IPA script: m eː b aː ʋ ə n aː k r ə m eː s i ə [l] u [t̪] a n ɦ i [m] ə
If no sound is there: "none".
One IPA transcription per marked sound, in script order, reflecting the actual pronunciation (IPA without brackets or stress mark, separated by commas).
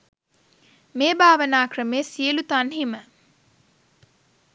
l, t̪, m